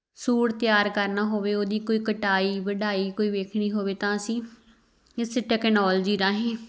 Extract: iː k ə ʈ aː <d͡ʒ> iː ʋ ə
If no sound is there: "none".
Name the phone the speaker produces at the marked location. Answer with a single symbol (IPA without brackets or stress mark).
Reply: none